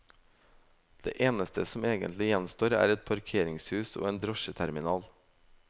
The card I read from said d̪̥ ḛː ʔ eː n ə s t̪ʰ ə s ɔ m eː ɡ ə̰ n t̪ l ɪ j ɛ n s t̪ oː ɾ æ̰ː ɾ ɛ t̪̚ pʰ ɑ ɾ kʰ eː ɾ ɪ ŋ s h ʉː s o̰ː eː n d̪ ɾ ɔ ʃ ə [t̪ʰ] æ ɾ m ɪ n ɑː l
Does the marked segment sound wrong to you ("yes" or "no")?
no